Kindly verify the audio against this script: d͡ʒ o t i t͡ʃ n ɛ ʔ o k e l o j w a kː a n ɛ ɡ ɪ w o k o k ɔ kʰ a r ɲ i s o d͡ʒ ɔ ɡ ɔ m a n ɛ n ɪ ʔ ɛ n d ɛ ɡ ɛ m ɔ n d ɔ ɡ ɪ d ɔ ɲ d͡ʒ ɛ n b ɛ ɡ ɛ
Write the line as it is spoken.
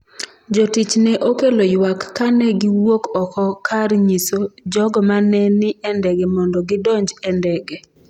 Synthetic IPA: d͡ʒ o t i t͡ʃ n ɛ ʔ o k e l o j w a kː a n ɛ ɡ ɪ w o k ɔ k ɔ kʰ a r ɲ i s o d͡ʒ ɔ ɡ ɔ m a n ɛ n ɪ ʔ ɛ n d ɛ ɡ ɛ m ɔ n d ɔ ɡ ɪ d ɔ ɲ d͡ʒ ɛ n d ɛ ɡ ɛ